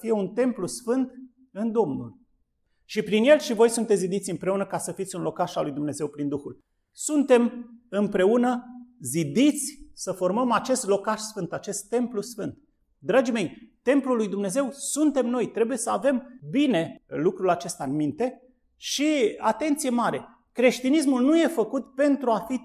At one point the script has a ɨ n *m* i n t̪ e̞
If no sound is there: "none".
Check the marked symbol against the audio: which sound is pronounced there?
m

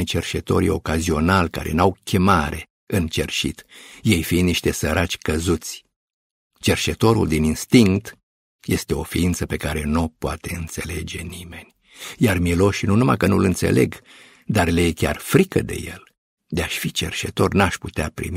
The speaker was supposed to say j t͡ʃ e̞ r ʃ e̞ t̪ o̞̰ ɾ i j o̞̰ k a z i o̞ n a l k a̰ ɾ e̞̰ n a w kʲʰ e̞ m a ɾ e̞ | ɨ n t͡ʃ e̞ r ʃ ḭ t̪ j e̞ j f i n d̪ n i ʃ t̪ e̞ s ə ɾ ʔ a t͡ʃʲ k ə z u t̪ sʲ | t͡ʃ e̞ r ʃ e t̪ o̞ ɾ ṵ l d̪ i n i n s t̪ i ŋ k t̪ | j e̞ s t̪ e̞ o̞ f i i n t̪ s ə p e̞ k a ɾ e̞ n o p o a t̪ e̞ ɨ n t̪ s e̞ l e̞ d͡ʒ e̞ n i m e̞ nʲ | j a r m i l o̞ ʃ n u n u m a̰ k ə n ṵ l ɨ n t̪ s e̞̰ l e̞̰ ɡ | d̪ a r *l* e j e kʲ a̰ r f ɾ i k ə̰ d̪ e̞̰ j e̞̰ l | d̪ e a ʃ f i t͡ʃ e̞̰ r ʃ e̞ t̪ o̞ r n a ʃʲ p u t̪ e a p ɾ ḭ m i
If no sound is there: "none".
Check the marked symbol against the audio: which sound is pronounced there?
l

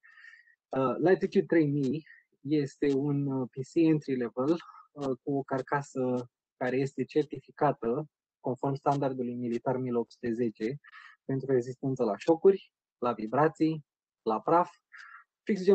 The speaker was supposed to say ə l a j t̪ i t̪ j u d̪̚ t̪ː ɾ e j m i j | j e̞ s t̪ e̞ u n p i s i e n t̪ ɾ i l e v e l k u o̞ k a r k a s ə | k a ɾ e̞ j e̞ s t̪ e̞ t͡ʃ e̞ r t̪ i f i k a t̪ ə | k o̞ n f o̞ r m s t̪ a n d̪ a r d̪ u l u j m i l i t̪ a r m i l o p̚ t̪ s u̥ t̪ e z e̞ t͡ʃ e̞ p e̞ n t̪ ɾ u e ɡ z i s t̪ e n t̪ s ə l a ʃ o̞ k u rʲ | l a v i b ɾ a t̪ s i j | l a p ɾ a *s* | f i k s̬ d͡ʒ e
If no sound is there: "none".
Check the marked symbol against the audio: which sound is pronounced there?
f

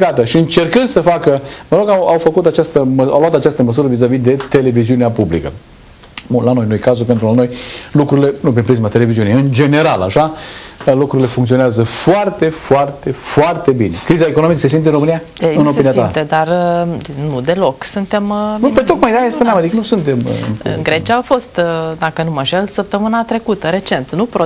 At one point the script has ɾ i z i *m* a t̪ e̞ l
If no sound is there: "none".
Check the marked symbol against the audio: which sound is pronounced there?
m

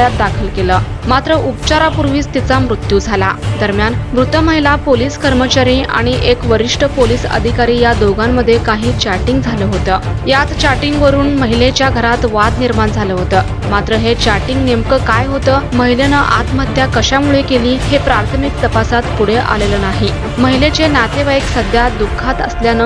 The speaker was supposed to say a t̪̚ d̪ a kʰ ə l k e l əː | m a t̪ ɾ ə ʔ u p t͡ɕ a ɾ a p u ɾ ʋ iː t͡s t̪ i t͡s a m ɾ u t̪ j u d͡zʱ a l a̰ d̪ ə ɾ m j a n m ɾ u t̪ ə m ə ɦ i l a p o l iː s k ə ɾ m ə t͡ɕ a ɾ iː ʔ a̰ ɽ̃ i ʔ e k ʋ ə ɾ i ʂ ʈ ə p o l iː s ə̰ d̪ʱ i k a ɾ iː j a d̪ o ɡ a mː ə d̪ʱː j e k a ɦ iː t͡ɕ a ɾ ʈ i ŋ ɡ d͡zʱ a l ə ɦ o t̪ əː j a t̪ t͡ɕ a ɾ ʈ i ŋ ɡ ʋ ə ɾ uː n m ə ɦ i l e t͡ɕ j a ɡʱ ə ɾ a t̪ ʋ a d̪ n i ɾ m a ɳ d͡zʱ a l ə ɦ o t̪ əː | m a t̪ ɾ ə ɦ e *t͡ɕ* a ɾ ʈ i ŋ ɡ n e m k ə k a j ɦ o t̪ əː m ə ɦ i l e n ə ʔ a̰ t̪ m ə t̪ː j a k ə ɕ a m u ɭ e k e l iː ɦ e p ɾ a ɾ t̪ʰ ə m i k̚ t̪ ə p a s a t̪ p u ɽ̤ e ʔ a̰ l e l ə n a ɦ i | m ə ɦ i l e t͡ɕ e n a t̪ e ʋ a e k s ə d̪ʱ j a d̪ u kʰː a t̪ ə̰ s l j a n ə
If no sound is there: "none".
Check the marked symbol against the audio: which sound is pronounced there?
t͡ɕ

